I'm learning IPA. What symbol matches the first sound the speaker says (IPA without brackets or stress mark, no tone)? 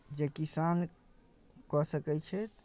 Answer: d͡ʒ